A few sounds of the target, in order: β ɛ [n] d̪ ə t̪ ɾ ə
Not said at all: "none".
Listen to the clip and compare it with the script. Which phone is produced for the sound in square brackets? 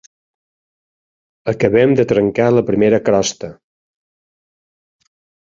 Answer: m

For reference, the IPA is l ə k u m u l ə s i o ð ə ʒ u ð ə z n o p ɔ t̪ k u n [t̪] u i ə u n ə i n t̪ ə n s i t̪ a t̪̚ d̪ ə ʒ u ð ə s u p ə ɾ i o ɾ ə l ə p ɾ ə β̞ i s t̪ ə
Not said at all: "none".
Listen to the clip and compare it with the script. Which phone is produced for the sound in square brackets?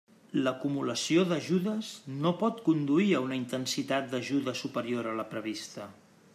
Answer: d̪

